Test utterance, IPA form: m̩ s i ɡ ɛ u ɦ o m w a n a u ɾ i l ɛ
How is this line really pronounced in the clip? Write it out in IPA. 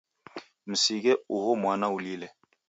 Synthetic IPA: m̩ s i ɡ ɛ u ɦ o m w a n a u l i l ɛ

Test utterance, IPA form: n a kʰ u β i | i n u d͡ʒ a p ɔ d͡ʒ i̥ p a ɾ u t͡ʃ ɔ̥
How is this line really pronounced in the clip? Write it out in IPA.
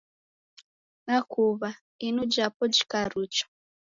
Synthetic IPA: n a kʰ u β a | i n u d͡ʒ a p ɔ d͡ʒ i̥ k a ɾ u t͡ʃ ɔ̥

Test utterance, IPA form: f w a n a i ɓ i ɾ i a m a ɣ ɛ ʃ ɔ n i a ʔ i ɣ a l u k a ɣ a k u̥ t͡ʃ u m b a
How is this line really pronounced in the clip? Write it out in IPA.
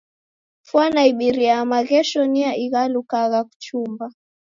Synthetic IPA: f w a n a i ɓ i ɾ i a m a ɣ ɛ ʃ ɔ n i a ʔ i ɣ a l u k a ɣ a k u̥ t͡ʃ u m b a

